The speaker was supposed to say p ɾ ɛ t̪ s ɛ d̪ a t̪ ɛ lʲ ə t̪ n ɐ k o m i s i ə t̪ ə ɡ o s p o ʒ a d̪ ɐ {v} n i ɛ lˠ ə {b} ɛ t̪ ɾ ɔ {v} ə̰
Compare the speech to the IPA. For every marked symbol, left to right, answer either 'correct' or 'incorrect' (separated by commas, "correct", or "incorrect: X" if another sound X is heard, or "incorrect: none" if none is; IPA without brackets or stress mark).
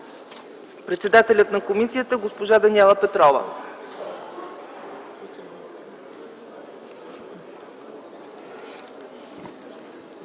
incorrect: none, incorrect: p, correct